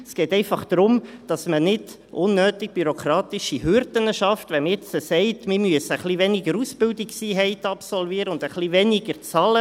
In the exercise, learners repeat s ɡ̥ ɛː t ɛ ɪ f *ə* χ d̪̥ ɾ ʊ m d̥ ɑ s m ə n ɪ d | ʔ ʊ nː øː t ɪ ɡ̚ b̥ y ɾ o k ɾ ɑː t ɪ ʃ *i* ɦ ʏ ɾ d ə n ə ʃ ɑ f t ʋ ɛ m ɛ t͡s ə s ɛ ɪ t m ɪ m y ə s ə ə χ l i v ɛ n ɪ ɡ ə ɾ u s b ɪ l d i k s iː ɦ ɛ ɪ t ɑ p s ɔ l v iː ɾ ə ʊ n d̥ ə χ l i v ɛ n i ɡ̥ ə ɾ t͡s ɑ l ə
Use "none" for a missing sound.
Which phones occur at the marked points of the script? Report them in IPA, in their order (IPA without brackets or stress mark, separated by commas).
ɑ, i